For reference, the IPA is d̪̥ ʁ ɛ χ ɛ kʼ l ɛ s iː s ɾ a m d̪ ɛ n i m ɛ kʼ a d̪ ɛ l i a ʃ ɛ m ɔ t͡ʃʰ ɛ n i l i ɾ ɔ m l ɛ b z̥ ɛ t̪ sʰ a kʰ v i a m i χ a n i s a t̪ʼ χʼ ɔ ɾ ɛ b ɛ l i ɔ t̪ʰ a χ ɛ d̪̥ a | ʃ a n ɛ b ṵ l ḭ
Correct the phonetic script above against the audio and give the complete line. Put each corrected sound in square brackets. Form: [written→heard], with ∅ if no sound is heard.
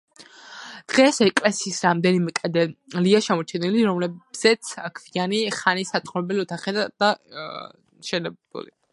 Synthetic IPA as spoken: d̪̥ ʁ ɛ [χ→s] ɛ kʼ l ɛ s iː s ɾ a m d̪ ɛ n i m ɛ kʼ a d̪ ɛ l i a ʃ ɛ m ɔ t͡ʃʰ ɛ n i l i ɾ ɔ m l ɛ b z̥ ɛ t̪ sʰ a kʰ v i a [m→n] i χ a n i s a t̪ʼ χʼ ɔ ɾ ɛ b ɛ l i ɔ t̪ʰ a χ ɛ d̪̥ a | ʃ [a→ɛ] n ɛ b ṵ l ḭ